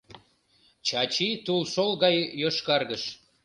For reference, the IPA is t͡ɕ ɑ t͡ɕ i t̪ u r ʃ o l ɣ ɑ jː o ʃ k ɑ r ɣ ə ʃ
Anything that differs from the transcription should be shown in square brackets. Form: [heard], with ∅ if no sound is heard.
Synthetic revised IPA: t͡ɕ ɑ t͡ɕ i t̪ u [l] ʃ o l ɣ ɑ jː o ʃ k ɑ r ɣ ə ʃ